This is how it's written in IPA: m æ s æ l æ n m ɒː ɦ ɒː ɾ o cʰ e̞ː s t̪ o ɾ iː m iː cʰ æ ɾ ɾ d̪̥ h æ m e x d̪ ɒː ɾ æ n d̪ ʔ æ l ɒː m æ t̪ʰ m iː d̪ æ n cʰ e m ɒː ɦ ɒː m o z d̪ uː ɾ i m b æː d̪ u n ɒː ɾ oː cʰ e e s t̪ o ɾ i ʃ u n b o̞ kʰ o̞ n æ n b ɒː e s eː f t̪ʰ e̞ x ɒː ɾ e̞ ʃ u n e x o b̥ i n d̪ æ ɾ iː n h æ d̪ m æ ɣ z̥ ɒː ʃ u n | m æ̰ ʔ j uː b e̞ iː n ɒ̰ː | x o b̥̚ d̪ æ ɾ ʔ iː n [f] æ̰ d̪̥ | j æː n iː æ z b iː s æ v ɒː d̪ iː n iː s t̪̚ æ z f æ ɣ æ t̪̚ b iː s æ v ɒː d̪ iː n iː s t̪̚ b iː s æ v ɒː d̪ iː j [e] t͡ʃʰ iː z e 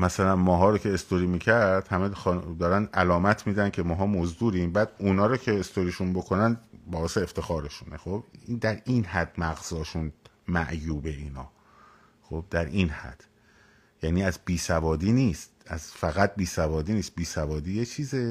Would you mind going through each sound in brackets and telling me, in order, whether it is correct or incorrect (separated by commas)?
incorrect, correct